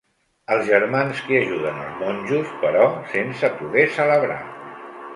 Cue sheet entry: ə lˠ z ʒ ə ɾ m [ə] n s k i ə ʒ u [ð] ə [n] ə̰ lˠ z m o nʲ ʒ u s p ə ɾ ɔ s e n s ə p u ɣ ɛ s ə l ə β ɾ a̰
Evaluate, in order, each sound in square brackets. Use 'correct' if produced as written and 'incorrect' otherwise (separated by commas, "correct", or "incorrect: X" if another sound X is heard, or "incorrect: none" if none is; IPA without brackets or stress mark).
incorrect: a, correct, correct